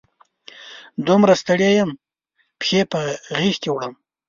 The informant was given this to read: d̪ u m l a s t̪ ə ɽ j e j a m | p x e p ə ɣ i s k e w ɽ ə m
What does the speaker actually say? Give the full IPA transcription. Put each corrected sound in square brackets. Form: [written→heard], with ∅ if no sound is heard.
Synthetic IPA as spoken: d̪ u m [l→ɾ] a s t̪ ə ɽ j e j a m | p x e p ə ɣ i [s→x] k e w ɽ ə m